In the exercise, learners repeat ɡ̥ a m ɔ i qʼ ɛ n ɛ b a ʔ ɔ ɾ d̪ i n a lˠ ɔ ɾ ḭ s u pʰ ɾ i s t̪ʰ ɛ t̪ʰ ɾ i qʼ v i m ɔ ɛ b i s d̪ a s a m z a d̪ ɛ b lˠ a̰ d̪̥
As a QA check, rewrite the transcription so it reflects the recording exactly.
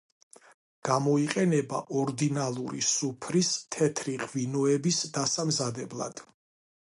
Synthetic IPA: ɡ̥ a m ɔ i qʼ ɛ n ɛ b a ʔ ɔ ɾ d̪ i n a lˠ u ɾ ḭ s u pʰ ɾ i s t̪ʰ ɛ t̪ʰ ɾ i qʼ v i n ɔ ɛ b i s d̪ a s a m z a d̪ ɛ b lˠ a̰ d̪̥